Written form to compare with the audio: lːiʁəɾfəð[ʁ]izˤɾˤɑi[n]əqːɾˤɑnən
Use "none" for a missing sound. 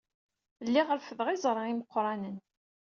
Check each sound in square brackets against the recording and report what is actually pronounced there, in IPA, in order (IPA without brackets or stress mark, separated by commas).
ʁ, m